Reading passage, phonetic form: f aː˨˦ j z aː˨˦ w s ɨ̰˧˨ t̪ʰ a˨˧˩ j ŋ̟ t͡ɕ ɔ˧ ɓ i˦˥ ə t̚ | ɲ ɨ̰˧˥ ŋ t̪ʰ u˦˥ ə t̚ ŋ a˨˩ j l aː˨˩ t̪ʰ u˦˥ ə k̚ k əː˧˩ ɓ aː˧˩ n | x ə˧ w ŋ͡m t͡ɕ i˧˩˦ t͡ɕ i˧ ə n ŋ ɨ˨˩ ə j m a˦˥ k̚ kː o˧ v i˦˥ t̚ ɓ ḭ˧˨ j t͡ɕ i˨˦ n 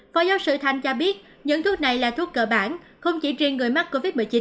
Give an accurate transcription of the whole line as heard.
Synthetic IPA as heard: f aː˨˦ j z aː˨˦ w s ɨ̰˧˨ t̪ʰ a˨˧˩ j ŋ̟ t͡ɕ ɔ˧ ɓ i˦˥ ə t̚ | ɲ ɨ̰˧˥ ŋ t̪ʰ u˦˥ ə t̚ n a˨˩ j l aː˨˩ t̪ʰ u˦˥ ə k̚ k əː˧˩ ɓ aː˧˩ n | x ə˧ w ŋ͡m t͡ɕ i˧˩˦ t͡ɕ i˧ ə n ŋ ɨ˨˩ ə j m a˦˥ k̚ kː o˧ v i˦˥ t̚ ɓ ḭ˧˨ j t͡ɕ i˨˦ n